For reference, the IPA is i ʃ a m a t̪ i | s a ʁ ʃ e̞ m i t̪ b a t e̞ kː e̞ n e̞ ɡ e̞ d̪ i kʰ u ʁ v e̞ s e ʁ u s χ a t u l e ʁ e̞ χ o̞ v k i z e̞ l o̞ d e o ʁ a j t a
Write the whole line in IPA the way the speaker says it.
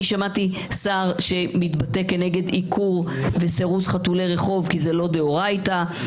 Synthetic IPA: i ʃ a m a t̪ i | s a ʁ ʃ e̞ m i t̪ b a t e̞ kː e̞ n e̞ ɡ e̞ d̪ i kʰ u ʁ v e̞ s e ʁ u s χ a t u l e ʁ e̞ χ o̞ v k i z e̞ l o̞ d e o ʁ a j t a